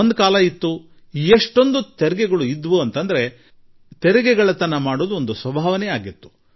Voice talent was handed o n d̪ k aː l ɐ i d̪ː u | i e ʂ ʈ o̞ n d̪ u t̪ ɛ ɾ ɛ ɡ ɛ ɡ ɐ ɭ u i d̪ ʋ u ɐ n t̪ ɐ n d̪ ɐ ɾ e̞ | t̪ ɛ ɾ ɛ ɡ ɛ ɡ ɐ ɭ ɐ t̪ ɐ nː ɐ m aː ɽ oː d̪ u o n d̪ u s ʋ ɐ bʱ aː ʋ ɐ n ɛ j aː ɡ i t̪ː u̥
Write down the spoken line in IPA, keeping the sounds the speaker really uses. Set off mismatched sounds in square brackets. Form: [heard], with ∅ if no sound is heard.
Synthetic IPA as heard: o n d̪ k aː l ɐ i [t̪ː] u | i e ʂ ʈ o̞ n d̪ u t̪ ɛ ɾ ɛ ɡ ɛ ɡ ɐ ɭ u i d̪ ʋ u ɐ n t̪ ɐ n d̪ ɐ ɾ e̞ | t̪ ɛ ɾ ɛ ɡ ɛ ɡ ɐ ɭ ɐ t̪ ɐ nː ɐ m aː ɽ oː d̪ u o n d̪ u s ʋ ɐ bʱ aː ʋ ɐ n ɛ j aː ɡ i t̪ː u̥